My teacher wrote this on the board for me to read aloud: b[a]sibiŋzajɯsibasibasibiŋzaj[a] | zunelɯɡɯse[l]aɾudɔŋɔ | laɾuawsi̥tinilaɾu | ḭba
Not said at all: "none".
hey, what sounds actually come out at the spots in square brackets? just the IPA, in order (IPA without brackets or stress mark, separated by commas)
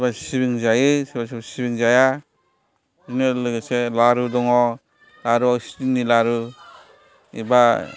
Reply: a, a, l